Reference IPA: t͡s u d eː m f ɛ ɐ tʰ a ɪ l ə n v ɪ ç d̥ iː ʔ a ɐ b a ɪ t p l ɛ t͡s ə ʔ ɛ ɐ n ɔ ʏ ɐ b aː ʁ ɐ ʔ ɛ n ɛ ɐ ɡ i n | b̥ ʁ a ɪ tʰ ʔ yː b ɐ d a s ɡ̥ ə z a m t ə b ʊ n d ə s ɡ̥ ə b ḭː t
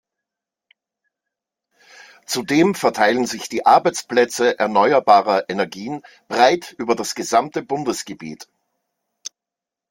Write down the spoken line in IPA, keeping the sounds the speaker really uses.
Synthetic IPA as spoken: t͡s u d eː m f ɛ ɐ tʰ a ɪ l ə n z ɪ ç d̥ iː ʔ a ɐ b a ɪ t͡s p l ɛ t͡s ə ʔ ɛ ɐ n ɔ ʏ ɐ b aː ʁ ɐ ʔ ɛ n ɛ ɐ ɡ iː n | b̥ ʁ a ɪ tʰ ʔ yː b ɐ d a s ɡ̥ ə z a m t ə b ʊ n d ə s ɡ̥ ə b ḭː t

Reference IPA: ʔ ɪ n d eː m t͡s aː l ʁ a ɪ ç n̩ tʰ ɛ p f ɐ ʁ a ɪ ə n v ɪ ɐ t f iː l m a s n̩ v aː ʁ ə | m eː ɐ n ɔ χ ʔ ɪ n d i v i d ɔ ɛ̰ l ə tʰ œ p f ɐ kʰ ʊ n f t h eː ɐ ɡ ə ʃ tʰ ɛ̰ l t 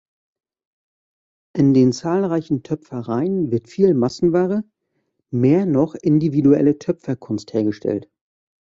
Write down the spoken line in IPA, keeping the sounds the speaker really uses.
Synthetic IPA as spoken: ʔ ɪ n d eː n t͡s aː l ʁ a ɪ ç n̩ tʰ œ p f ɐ ʁ a ɪ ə n v ɪ ɐ t f iː l m a s n̩ v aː ʁ ə | m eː ɐ n ɔ χ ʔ ɪ n d i v i d u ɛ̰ l ə tʰ œ p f ɐ kʰ ʊ n s t h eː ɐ ɡ ə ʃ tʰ ɛ̰ l t

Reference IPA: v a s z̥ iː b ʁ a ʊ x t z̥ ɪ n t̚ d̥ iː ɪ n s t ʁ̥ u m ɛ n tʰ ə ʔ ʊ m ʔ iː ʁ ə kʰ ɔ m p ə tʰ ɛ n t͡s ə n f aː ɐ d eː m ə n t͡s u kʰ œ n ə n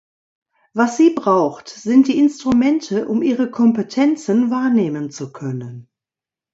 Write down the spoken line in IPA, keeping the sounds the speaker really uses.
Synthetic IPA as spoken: v a s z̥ iː b ʁ a ʊ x t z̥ ɪ n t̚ d̥ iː ɪ n s t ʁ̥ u m ɛ n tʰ ə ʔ ʊ m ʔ iː ʁ ə kʰ ɔ m p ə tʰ ɛ n t͡s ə n v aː ɐ n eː m ə n t͡s u kʰ œ n ə n

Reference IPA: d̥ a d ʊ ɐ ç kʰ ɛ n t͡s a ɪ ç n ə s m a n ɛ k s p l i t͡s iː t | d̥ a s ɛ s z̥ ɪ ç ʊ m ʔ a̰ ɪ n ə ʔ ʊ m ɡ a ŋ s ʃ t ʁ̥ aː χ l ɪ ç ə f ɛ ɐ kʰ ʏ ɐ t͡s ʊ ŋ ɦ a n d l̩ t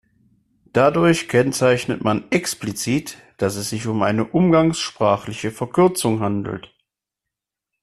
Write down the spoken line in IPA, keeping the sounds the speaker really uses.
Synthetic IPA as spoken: d̥ a d ʊ ɐ ç kʰ ɛ n t͡s a ɪ ç n ə t m a n ɛ k s p l i t͡s iː t | d̥ a s ɛ s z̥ ɪ ç ʊ m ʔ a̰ ɪ n ə ʔ ʊ m ɡ a ŋ s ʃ p ʁ̥ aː χ l ɪ ç ə f ɛ ɐ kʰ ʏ ɐ t͡s ʊ ŋ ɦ a n d l̩ t

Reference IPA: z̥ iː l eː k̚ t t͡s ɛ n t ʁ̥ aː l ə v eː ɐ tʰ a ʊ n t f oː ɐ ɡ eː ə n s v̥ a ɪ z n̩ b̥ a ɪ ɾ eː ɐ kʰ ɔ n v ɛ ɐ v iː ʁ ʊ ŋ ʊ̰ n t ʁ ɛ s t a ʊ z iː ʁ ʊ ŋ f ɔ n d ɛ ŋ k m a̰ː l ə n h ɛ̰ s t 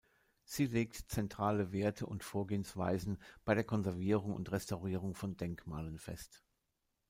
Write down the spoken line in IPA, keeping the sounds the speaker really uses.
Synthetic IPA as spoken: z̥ iː l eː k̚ t t͡s ɛ n t ʁ̥ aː l ə v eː ɐ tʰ ə ʊ n t f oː ɐ ɡ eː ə n s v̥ a ɪ z n̩ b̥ a ɪ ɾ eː ɐ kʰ ɔ n z ɛ ɐ v iː ʁ ʊ ŋ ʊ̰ n t ʁ ɛ s t a ʊ ʁ iː ʁ ʊ ŋ f ɔ n d ɛ ŋ k m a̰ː l ə n f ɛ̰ s t

